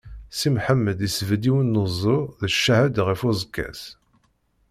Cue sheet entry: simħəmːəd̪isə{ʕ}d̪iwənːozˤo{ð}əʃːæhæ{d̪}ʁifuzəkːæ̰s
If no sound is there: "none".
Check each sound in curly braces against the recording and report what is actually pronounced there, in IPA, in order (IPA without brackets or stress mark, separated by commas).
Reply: v, ð, d̪